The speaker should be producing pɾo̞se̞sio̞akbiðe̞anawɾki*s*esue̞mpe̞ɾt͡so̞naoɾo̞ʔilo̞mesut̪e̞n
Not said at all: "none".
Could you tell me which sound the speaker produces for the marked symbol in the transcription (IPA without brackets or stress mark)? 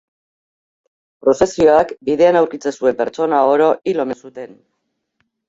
t͡s